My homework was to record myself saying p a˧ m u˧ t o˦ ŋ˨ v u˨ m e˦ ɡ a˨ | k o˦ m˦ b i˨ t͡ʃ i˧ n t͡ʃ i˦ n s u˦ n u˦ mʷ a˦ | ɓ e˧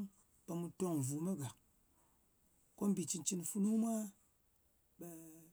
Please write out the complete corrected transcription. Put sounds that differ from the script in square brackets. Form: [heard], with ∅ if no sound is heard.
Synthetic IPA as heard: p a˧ m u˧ t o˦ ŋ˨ v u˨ m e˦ ɡ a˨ | k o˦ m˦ b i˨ t͡ʃ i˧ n t͡ʃ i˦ n [f] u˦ n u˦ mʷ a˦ | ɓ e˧